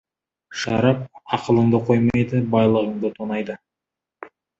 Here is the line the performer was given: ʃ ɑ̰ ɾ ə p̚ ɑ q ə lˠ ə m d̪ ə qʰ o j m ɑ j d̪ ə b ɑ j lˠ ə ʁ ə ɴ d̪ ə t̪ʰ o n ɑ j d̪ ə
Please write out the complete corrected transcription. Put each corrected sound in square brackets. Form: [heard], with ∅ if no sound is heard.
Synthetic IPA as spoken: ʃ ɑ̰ ɾ [ɑ] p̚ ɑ q ə lˠ ə [ɴ] d̪ ə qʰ o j m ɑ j d̪ ə b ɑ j lˠ ə ʁ ə ɴ d̪ ə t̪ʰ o n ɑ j d̪ ə